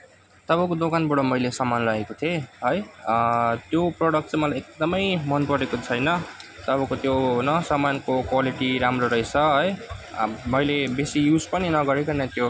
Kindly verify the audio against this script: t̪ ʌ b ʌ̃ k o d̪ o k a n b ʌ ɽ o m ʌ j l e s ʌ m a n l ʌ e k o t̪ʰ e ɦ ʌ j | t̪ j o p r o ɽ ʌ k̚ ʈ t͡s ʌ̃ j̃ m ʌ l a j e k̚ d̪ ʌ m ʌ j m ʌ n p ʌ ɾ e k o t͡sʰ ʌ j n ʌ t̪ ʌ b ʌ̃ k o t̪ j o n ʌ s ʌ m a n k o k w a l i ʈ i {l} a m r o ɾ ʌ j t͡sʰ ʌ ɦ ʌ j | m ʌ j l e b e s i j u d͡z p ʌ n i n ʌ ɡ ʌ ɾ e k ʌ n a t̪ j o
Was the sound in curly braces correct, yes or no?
no